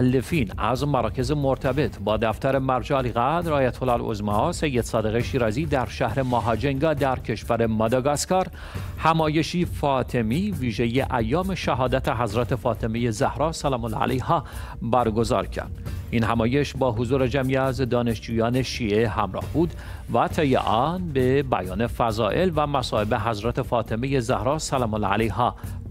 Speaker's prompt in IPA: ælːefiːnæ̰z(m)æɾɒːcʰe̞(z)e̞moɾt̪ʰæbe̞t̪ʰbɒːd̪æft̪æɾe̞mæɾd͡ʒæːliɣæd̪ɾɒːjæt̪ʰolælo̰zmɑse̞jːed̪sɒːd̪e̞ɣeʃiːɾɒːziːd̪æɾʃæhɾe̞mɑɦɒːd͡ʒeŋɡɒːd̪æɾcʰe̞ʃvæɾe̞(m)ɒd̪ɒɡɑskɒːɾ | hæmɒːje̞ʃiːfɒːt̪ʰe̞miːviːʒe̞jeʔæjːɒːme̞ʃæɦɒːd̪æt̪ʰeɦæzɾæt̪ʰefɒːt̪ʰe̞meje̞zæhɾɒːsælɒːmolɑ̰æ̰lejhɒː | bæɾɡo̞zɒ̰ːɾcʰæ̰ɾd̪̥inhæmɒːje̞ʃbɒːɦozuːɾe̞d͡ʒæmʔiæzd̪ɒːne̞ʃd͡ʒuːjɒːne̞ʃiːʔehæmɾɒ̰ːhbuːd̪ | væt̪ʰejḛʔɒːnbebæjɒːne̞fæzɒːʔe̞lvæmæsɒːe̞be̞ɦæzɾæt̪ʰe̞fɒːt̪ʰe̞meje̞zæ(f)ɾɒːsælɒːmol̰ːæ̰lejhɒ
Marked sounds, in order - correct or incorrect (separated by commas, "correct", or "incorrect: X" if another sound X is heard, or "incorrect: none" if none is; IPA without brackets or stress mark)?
correct, correct, correct, incorrect: h